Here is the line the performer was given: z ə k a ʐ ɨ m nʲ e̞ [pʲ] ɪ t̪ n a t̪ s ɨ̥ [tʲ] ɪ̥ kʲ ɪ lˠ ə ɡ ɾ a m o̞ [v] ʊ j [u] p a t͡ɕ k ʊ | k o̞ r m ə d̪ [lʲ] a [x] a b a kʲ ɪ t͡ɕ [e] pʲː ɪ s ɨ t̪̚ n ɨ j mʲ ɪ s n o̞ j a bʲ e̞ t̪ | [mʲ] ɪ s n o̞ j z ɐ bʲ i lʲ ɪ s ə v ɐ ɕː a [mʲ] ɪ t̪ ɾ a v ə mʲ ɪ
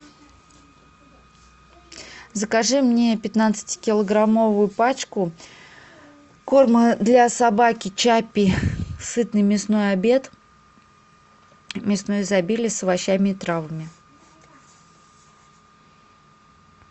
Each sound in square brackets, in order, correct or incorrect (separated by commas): correct, correct, correct, incorrect, correct, incorrect, incorrect, correct, correct